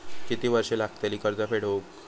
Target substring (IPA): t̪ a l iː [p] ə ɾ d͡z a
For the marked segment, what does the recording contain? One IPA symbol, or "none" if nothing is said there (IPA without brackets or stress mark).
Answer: k